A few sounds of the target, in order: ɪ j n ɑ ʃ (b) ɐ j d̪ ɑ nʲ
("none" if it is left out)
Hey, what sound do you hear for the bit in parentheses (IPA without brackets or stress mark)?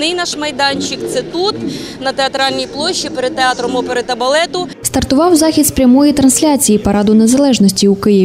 m